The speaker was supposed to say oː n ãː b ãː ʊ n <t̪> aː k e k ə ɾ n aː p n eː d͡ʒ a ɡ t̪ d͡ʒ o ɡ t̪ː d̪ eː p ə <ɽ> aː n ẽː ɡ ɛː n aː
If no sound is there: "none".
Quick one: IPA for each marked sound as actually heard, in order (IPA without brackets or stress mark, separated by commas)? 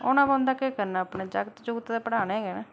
d̪, ɽ